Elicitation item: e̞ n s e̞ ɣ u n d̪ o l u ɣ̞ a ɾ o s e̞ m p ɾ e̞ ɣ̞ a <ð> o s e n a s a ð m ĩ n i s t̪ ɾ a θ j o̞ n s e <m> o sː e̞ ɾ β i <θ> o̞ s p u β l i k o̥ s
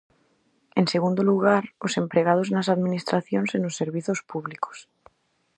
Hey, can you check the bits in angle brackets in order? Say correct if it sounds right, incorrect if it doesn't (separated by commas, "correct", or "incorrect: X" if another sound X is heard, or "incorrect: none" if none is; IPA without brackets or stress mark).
correct, incorrect: n, correct